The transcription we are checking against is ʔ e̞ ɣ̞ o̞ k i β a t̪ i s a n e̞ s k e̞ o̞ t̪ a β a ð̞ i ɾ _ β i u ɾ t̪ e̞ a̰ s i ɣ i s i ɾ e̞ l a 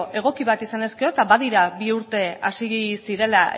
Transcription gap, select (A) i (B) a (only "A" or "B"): B